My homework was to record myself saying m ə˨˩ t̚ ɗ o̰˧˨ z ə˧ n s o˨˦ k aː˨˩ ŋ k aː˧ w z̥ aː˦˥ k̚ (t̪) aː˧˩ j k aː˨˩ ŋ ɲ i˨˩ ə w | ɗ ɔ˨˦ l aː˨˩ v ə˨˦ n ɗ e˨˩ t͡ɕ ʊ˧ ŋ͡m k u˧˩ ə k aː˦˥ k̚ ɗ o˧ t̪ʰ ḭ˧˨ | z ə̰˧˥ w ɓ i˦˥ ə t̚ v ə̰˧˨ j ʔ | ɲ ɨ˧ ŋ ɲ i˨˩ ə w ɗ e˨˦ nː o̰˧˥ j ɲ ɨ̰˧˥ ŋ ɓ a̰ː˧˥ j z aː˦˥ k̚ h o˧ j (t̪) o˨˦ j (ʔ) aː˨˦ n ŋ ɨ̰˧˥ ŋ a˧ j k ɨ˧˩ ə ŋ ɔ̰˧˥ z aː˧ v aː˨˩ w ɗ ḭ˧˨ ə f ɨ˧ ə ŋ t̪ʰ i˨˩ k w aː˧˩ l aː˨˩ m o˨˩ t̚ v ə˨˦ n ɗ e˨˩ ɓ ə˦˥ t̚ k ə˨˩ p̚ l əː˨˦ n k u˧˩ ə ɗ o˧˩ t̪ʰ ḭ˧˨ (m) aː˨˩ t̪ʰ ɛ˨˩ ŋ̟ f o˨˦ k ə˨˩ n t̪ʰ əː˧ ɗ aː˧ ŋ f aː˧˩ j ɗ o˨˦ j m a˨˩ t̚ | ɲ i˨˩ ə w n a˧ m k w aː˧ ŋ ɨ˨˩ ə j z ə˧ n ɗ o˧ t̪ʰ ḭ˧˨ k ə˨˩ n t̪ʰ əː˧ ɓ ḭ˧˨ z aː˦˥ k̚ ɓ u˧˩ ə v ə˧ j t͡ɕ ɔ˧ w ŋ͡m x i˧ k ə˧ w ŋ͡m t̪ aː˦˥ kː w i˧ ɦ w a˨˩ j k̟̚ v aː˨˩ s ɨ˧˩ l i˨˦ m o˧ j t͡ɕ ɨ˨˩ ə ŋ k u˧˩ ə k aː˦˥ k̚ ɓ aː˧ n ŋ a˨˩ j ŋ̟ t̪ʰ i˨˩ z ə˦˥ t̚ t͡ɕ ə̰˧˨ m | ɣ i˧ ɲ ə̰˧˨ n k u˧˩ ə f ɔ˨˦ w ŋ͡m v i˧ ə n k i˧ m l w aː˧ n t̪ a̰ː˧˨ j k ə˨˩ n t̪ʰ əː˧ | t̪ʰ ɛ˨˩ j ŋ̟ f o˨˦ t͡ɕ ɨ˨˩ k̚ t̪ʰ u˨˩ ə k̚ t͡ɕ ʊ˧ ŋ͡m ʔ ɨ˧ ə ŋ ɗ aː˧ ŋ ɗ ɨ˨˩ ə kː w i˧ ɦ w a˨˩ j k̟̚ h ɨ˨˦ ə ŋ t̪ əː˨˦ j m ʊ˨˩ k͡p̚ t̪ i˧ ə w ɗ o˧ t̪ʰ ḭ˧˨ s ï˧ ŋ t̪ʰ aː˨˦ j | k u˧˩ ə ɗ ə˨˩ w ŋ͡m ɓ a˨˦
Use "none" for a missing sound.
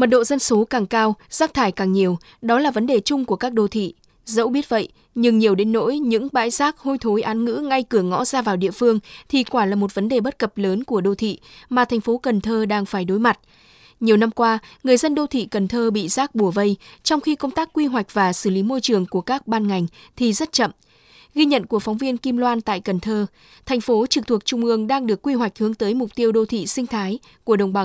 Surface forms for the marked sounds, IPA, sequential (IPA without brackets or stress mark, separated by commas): t̪ʰ, t̪ʰ, ʔ, m